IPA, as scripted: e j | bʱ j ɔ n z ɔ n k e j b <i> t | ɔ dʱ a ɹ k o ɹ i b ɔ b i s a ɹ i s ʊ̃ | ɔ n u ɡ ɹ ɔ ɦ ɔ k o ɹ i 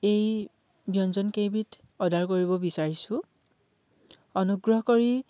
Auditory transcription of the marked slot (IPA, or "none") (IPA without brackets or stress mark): i